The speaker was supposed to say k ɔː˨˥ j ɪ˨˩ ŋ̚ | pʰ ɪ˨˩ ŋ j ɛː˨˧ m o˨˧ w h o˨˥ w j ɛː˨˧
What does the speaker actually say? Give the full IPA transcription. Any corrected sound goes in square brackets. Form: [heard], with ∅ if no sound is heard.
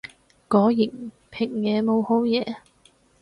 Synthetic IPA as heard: k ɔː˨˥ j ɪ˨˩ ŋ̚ | pʰ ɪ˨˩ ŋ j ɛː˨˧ m o˨˧ w h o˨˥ w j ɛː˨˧